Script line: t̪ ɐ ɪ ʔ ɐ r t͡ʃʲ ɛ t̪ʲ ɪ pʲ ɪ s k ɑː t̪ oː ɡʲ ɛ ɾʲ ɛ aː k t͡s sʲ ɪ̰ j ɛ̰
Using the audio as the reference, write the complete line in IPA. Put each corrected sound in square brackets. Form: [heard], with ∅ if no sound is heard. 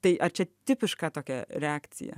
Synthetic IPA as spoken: t̪ ɐ ɪ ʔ ɐ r t͡ʃʲ ɛ t̪ʲ ɪ pʲ ɪ [ʃ] k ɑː t̪ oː [kʲ] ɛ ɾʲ ɛ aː k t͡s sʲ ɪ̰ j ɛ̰